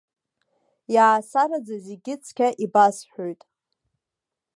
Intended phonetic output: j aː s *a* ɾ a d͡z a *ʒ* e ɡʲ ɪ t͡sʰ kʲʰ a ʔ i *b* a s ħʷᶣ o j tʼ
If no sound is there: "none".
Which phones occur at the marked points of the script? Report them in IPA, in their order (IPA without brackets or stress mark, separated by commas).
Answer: a, z, b